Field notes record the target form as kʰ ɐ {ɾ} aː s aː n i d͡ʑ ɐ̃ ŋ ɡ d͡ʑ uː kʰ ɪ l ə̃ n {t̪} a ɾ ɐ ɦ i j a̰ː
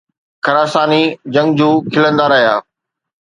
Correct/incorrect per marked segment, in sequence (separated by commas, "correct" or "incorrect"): correct, incorrect